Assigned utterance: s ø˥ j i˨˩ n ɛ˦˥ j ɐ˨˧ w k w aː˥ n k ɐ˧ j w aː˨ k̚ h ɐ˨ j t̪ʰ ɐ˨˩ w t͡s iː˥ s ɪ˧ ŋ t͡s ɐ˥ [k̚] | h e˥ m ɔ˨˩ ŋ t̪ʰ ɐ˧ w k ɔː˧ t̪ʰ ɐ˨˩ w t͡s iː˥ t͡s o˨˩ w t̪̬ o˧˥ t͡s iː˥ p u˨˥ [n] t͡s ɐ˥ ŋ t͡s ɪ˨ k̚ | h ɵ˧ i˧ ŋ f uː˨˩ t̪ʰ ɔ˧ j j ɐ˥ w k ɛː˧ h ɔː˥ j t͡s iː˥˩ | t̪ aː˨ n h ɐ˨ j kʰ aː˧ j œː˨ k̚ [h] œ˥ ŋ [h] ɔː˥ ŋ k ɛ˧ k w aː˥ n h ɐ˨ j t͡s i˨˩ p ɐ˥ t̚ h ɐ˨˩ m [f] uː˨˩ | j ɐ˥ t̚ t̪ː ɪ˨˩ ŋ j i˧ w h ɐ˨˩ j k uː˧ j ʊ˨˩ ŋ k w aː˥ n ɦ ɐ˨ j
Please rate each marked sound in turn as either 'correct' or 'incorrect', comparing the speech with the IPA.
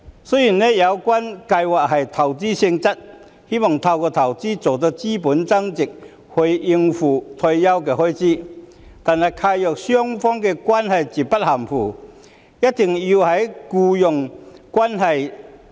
incorrect: t̚, correct, incorrect: s, incorrect: f, correct

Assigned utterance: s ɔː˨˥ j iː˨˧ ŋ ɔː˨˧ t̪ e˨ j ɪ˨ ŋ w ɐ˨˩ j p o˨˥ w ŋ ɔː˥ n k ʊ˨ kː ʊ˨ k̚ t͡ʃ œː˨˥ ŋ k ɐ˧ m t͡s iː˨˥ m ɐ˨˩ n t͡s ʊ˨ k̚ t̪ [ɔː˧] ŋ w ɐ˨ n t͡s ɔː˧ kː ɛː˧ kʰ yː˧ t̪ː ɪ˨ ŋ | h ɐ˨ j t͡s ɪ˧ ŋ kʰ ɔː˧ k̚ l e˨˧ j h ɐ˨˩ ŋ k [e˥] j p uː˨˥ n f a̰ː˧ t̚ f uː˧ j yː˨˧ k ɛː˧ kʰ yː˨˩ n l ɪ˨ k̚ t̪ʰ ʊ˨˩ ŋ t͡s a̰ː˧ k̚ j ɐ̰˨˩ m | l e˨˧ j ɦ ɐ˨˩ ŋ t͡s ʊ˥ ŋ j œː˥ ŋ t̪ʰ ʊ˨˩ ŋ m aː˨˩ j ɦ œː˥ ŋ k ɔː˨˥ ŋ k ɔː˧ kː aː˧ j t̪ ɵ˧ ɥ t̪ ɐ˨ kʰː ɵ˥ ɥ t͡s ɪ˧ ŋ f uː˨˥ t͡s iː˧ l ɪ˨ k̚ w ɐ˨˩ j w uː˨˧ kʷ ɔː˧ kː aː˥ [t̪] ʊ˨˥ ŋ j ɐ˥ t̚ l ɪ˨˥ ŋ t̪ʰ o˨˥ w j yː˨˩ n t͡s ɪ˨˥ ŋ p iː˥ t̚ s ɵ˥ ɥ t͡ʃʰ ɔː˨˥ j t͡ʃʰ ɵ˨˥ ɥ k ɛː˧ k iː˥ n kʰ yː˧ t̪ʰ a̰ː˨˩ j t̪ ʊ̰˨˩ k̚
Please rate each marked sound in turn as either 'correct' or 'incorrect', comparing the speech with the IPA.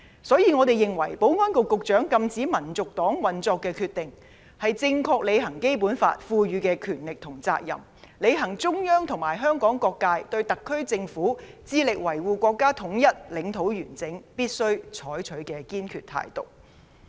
incorrect: ɔː˨˥, correct, incorrect: t̪ʰ

